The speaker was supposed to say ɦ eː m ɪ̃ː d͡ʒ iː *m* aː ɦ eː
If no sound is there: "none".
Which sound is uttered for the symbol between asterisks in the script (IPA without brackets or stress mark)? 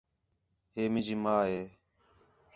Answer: m